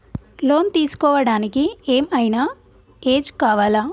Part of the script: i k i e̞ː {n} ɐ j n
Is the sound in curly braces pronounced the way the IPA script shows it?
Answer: no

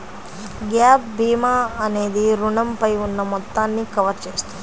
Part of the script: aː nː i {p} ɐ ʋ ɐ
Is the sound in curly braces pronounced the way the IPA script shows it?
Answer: no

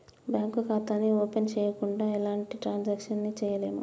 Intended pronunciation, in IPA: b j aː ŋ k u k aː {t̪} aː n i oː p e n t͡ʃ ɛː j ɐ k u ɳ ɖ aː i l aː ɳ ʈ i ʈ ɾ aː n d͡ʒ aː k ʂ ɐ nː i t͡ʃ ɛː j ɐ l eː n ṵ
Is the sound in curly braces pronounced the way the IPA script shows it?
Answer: yes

